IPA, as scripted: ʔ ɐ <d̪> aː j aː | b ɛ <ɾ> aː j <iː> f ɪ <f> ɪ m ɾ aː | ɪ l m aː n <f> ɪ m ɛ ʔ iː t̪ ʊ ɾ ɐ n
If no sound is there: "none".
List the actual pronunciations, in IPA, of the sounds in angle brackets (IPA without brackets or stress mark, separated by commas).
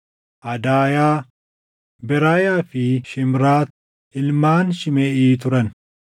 d̪, ɾ, aː, ʃ, ʃ